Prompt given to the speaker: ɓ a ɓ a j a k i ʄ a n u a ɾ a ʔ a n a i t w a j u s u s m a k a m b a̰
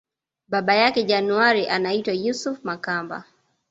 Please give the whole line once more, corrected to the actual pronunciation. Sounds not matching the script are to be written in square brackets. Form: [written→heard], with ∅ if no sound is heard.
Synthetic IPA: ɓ a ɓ a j a k [i→ɛ] ʄ a n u a ɾ [a→i] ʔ a n a i t w a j u s u [s→f] m a k a m b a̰